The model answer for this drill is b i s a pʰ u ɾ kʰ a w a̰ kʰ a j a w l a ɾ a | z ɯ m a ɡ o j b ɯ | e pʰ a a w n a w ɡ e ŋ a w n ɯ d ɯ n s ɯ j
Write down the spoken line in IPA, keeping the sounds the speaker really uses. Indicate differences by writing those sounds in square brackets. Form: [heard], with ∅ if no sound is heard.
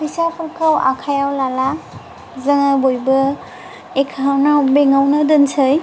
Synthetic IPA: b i s a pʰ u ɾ kʰ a w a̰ kʰ a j a w l a [l] a | z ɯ [ŋ] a [b] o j b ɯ | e [kʰ] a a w n a w [b] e ŋ a w n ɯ d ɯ n s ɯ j